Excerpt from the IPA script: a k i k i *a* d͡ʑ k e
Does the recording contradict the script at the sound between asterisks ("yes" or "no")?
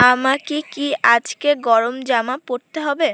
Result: no